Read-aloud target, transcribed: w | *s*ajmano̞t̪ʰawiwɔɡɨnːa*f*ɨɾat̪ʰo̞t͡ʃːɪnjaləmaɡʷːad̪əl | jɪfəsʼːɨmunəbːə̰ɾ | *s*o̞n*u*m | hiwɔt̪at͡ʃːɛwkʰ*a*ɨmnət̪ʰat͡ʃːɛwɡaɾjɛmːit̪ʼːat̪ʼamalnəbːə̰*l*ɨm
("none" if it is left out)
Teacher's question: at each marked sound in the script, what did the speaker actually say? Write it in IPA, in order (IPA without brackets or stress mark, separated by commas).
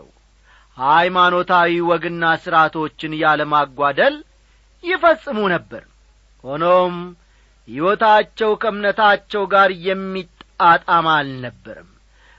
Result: h, s, h, o, ə, ɾ